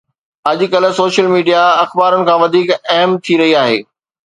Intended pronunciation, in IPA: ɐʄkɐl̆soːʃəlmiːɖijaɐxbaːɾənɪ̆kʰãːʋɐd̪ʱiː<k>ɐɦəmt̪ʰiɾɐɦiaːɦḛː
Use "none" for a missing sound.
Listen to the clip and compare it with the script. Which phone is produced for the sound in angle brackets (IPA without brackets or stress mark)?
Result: k